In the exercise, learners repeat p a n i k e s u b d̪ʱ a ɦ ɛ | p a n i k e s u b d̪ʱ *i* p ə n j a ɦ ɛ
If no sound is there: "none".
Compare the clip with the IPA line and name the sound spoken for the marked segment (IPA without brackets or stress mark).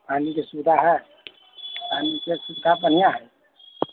a